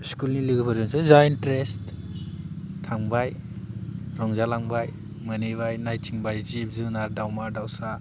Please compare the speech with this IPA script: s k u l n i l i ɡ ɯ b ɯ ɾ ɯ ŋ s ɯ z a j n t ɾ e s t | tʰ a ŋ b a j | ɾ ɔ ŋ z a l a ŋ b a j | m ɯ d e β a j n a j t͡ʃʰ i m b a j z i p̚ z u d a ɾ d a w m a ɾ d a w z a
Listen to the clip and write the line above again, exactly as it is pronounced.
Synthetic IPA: s k u l n i l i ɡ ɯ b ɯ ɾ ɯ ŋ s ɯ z a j n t ɾ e s t | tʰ a ŋ b a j | ɾ ɔ ŋ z a l a ŋ b a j | m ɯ n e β a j n a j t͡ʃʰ i ŋ b a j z i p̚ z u n a ɾ d a w m a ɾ d a w s a